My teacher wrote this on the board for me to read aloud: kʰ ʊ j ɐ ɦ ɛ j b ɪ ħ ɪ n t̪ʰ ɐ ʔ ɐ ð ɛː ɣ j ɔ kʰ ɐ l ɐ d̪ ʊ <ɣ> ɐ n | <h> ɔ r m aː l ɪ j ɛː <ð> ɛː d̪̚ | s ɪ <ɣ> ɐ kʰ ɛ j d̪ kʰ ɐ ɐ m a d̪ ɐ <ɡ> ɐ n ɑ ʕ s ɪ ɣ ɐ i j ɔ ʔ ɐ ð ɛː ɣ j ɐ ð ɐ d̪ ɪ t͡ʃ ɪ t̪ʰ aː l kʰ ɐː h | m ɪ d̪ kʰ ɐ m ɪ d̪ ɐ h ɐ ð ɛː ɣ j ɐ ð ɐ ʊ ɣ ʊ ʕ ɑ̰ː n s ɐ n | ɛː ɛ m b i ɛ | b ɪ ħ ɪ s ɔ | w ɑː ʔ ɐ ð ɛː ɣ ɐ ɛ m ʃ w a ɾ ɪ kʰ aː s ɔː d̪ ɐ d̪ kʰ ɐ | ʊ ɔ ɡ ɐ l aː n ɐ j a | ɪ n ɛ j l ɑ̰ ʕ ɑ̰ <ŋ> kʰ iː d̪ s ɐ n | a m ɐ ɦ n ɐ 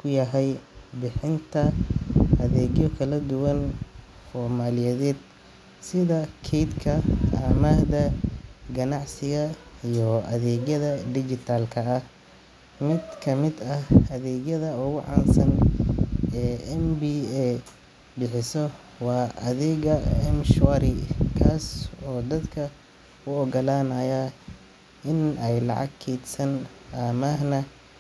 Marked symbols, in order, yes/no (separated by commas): no, no, yes, no, yes, no